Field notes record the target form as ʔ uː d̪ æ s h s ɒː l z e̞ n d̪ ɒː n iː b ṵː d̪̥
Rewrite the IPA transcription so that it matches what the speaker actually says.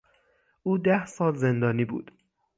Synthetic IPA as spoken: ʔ uː d̪ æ h s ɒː l z e̞ n d̪ ɒː n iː b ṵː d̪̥